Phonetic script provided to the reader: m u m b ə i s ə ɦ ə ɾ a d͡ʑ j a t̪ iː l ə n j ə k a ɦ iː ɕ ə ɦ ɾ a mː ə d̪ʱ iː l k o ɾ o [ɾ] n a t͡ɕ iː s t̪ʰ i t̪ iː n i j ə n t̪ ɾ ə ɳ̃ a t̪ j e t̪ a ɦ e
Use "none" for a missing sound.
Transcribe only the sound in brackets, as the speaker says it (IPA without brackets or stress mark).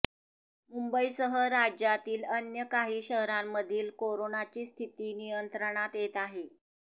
none